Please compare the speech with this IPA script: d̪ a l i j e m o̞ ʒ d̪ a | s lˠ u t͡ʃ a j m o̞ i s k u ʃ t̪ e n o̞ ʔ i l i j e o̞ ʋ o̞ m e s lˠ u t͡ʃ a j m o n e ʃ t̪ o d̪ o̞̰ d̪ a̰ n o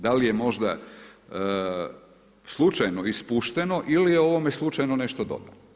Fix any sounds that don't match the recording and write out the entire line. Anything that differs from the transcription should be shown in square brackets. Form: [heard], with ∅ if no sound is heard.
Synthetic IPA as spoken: d̪ a l i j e m o̞ ʒ d̪ a | s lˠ u t͡ʃ a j [n] o̞ i s [p] u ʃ t̪ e n o̞ ʔ i l i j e o̞ ʋ o̞ m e s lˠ u t͡ʃ a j [n] o n e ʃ t̪ o d̪ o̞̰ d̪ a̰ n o